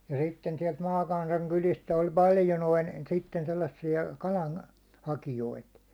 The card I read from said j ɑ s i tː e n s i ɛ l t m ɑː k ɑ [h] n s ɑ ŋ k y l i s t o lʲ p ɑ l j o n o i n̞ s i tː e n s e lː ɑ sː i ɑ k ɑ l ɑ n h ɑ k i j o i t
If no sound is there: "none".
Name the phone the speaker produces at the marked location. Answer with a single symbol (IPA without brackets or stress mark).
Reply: none